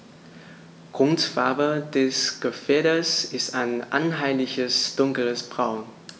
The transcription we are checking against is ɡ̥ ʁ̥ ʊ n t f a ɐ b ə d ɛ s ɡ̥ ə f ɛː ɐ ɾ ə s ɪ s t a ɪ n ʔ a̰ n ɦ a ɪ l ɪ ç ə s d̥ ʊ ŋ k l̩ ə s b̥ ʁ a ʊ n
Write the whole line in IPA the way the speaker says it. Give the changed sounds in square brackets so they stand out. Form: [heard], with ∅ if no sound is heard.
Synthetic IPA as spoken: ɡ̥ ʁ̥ ʊ n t f a ɐ b ə d ɛ s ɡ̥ ə f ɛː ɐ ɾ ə s ɪ s t a ɪ n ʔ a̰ n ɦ a ɪ l ɪ ç ə s d̥ ʊ ŋ k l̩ ə s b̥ ʁ a ʊ n